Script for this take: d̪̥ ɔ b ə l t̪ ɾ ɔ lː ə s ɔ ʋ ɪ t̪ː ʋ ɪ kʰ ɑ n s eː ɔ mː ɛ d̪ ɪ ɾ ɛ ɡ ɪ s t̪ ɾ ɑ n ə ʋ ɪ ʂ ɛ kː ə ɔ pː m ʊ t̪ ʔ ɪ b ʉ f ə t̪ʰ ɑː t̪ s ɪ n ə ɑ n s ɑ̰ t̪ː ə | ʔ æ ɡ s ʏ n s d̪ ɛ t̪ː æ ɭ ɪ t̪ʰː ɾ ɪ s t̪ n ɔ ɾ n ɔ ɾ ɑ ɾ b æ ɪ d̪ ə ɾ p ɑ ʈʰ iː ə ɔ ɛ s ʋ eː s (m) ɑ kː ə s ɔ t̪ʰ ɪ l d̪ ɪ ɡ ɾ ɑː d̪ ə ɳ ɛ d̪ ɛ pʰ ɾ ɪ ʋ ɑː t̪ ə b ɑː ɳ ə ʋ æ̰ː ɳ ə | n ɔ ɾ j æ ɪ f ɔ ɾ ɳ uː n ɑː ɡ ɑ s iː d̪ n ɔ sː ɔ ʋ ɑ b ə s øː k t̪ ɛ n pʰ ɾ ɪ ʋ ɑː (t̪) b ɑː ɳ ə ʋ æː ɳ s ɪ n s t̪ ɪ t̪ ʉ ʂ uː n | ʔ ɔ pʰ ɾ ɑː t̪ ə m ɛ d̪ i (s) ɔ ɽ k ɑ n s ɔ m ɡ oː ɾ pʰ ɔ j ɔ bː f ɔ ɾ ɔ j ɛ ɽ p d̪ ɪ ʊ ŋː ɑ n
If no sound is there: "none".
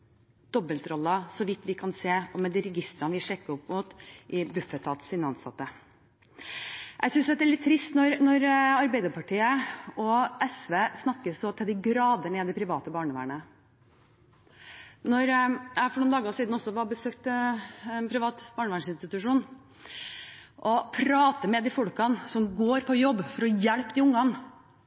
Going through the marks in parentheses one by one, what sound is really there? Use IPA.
n, t̪, f

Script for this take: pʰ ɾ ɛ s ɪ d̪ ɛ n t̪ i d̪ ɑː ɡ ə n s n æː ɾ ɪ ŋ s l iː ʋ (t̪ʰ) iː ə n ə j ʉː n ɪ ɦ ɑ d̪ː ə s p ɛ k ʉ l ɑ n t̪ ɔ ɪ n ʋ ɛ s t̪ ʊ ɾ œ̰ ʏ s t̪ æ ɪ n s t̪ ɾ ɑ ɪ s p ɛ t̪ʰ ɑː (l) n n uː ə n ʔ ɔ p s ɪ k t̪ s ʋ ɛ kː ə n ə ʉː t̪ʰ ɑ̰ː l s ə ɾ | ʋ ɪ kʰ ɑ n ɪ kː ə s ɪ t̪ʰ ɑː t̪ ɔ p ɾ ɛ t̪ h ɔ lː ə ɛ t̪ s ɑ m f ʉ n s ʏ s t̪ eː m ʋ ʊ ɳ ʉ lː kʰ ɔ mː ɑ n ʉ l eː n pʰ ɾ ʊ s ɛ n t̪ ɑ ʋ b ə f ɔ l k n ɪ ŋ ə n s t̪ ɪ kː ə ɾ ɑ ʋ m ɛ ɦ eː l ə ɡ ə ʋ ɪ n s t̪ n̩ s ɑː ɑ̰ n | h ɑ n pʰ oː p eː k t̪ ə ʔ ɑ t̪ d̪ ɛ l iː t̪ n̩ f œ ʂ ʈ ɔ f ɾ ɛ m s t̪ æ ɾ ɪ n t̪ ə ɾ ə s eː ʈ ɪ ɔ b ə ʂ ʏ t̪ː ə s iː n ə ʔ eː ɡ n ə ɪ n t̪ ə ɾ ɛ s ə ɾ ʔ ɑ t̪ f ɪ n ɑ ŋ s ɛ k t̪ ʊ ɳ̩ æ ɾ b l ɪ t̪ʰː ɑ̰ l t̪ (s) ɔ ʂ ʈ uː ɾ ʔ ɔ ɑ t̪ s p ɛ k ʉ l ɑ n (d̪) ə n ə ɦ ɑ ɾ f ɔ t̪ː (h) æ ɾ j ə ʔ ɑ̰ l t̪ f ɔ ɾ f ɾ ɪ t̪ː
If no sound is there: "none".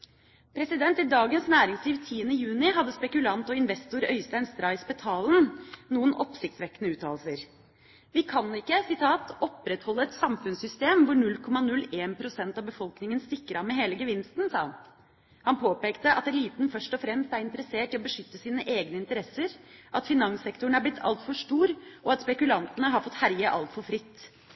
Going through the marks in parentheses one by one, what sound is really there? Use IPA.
t̪ʰ, l, f, t̪, h

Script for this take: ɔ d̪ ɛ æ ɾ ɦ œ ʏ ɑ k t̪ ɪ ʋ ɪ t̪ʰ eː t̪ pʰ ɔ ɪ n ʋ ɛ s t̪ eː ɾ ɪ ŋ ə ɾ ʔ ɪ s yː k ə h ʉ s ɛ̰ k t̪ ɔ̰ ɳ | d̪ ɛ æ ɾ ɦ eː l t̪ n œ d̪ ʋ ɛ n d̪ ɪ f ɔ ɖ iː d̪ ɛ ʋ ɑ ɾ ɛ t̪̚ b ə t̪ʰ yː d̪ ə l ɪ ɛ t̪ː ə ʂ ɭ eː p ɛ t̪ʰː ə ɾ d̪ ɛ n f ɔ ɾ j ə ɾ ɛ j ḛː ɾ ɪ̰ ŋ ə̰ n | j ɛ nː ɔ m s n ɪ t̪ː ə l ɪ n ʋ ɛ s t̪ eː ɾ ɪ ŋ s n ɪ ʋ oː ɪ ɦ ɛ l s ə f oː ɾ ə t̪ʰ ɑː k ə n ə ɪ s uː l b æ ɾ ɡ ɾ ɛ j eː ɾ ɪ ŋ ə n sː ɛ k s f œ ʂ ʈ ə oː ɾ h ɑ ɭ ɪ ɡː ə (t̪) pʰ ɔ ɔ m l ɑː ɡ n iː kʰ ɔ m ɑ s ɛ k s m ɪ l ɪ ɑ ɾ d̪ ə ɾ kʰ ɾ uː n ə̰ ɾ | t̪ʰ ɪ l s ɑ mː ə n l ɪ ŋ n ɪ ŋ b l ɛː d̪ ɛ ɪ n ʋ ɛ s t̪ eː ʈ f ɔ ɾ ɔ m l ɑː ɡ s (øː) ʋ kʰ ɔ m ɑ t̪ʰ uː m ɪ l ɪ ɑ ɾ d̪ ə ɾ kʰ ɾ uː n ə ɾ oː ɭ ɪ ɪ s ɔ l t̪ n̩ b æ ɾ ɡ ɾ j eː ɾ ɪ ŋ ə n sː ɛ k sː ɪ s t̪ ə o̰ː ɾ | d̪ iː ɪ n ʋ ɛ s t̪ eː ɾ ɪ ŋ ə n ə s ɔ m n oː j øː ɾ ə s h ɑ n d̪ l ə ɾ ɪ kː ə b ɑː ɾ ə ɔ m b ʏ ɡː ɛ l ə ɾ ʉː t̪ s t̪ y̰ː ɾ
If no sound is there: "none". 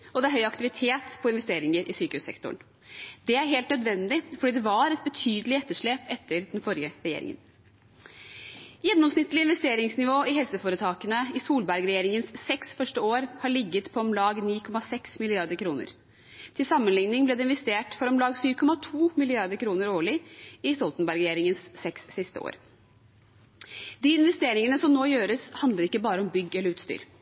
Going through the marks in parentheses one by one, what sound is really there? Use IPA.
t̪, yː

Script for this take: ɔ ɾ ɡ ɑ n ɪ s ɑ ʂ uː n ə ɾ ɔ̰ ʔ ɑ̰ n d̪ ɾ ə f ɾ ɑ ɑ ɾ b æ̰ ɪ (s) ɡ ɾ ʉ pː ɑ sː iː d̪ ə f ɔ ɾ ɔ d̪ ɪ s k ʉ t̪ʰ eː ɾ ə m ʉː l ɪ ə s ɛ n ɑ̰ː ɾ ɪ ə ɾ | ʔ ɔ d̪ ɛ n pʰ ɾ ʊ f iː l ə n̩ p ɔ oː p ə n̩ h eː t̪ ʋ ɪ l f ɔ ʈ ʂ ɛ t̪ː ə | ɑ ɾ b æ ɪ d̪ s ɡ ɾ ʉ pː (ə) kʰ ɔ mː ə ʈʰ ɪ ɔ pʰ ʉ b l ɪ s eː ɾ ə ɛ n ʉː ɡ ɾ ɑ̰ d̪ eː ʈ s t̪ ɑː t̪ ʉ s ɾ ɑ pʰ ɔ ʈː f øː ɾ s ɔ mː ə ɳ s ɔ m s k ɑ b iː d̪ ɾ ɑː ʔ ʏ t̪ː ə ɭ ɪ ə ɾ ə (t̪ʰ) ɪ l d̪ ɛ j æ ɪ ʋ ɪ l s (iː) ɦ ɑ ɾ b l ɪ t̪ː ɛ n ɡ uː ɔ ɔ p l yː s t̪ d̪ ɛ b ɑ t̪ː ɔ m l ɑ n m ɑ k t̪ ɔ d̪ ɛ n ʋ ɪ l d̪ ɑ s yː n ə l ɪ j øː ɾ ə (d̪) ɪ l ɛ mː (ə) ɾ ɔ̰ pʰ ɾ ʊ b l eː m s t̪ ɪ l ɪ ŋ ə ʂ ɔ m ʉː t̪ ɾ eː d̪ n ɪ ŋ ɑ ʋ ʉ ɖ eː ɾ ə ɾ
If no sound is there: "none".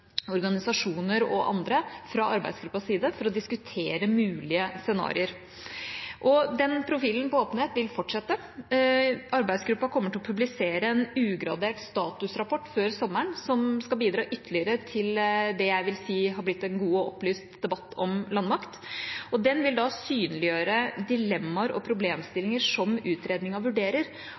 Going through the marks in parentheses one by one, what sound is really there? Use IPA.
s, ɑ, t̪ʰ, iː, d̪, ɑ

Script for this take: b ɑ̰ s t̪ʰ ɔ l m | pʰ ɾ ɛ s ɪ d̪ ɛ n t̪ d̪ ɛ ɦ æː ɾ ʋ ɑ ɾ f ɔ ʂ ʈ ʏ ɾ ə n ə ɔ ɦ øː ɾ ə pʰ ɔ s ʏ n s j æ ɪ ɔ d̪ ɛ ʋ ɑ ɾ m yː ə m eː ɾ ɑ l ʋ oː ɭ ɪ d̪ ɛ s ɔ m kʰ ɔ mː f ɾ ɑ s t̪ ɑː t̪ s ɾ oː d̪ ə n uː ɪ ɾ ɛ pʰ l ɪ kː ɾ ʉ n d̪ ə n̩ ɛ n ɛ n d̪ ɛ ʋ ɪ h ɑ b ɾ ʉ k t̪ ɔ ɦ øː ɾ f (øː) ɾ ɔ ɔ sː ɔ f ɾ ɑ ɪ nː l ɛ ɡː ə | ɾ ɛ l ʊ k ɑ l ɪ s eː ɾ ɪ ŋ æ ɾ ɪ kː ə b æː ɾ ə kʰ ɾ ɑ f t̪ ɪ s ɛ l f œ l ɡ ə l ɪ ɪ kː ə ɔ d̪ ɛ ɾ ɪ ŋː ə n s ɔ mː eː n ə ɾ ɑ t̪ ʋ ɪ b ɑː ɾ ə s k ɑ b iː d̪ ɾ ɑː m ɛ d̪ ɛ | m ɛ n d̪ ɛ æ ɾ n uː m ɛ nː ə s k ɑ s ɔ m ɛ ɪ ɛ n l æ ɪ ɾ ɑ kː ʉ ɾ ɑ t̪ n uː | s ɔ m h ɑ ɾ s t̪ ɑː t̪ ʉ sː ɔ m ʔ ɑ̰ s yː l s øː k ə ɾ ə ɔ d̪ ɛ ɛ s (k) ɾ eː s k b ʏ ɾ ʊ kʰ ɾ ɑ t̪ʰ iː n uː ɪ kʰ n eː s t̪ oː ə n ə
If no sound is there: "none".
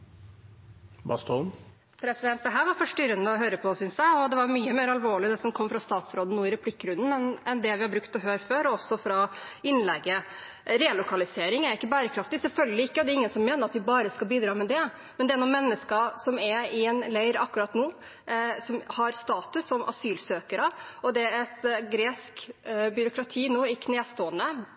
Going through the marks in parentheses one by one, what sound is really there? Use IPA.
øː, ɡ

